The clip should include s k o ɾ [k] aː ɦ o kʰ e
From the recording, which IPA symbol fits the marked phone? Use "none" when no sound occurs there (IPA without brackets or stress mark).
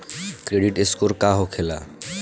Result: k